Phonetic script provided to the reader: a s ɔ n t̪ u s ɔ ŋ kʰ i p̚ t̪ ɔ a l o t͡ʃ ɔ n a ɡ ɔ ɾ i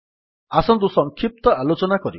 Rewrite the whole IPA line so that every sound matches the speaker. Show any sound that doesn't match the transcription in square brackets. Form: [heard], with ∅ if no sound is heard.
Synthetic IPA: a s ɔ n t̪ u s ɔ ŋ kʰ i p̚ t̪ ɔ a l o t͡ʃ ɔ n a [k] ɔ ɾ i